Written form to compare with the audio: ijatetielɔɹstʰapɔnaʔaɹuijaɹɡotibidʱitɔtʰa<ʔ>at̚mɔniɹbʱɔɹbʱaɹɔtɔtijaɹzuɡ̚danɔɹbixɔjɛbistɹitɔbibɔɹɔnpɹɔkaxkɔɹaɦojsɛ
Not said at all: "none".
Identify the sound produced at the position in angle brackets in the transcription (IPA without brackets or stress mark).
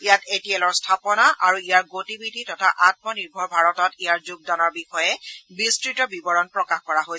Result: ʔ